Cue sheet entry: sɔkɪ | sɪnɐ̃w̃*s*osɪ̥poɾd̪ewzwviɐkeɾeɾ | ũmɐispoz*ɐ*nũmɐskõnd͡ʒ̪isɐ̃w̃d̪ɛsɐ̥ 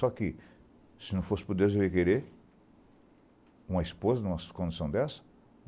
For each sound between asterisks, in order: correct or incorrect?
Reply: incorrect: f, correct

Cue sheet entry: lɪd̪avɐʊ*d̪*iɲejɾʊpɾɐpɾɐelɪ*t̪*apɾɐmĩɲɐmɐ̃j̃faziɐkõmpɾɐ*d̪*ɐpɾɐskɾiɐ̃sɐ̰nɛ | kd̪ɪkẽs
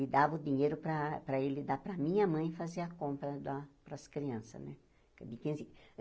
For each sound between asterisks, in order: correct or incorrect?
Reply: correct, incorrect: d̪, correct

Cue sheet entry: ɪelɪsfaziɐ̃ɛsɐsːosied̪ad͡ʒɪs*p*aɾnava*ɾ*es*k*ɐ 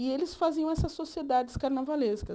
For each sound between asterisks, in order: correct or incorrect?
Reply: incorrect: k, incorrect: l, correct

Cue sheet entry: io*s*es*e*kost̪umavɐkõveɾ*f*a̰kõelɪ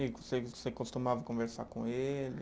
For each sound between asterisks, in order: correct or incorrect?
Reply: correct, correct, incorrect: s

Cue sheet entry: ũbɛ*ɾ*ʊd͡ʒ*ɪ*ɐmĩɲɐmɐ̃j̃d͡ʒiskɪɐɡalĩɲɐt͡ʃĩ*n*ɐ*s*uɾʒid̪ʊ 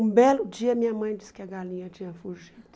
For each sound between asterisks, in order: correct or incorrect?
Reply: incorrect: l, incorrect: i, incorrect: ɲ, incorrect: f

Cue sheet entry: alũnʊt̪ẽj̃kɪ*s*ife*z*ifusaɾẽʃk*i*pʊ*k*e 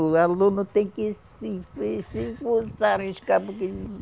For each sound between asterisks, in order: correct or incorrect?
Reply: correct, incorrect: s, incorrect: a, correct

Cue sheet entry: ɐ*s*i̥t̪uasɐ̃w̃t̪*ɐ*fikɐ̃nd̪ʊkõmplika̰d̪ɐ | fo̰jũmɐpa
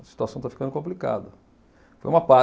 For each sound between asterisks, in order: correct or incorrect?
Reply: correct, incorrect: a

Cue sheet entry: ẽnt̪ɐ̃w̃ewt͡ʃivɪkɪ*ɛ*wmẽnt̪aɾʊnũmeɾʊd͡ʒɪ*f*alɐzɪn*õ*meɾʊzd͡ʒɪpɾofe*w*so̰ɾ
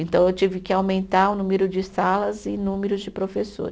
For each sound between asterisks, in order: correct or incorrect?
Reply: incorrect: a, incorrect: s, incorrect: ũ, incorrect: none

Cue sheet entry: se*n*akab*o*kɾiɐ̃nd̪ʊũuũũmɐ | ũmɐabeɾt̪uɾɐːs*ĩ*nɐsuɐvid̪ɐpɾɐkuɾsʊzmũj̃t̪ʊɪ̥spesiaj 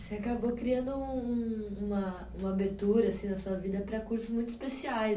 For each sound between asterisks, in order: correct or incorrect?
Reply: incorrect: none, correct, correct

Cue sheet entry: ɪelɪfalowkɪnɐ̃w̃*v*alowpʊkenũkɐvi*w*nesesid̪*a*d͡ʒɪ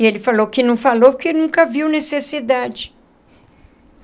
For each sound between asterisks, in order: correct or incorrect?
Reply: incorrect: f, correct, correct

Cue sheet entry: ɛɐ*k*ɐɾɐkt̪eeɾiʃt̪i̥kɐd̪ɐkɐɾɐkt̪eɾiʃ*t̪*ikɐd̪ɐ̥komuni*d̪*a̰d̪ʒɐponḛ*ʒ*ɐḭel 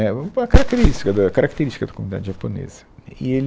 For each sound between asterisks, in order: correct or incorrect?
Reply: correct, correct, correct, incorrect: z

